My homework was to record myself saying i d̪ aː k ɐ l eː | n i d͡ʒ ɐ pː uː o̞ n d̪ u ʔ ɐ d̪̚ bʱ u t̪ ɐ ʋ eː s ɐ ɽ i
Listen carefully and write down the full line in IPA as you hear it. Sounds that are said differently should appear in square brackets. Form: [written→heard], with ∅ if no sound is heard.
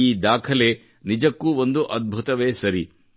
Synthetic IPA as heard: [i→iː] d̪ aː [k→kʰ] ɐ l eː | n i d͡ʒ ɐ [pː→kː] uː o̞ n d̪ u ʔ ɐ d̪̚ bʱ u t̪ ɐ ʋ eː s ɐ [ɽ→ɾ] i